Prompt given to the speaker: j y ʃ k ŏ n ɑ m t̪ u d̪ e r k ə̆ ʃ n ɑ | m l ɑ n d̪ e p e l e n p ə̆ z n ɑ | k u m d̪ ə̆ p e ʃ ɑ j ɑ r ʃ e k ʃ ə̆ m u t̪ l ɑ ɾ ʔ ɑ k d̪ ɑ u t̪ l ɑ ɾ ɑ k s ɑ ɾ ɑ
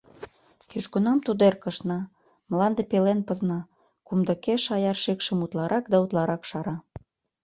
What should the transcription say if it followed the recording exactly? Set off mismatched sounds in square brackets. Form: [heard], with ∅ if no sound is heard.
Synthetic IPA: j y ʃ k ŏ n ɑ m t̪ u d̪ e r k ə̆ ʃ n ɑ | m l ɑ n d̪ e p e l e n p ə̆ z n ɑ | k u m d̪ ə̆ [k] e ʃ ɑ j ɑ r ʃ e k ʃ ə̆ m u t̪ l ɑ ɾ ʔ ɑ k d̪ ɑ u t̪ l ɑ ɾ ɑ k [ʃ] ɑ ɾ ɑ